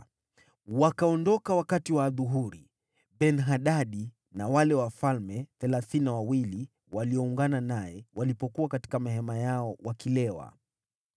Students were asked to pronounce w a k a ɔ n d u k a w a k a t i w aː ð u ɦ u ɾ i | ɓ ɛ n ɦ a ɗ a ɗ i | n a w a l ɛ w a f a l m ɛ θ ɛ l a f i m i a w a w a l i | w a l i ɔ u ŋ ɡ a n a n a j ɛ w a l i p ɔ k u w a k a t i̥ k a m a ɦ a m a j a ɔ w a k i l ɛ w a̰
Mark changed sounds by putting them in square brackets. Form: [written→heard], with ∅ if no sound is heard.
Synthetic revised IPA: w a k a ɔ n d [u→ɔ] k a w a k a t i w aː ð u ɦ u ɾ i | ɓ ɛ n ɦ a ɗ a ɗ i | n a w a l ɛ w a f a l m ɛ θ ɛ l a [f→θ] i [m→n] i a w a w [a→i] l i | w a l i ɔ u ŋ ɡ a n a n a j ɛ w a l i p ɔ k u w a k a t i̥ k a m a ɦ [a→ɛ] m a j a ɔ w a k i l ɛ w a̰